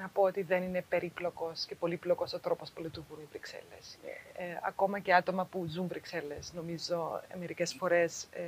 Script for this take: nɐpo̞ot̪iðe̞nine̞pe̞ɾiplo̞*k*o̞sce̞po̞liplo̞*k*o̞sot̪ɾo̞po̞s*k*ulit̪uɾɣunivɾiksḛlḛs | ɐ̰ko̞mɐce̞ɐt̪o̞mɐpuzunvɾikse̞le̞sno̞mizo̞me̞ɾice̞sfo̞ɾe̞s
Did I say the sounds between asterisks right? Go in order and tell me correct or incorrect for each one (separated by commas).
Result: correct, correct, incorrect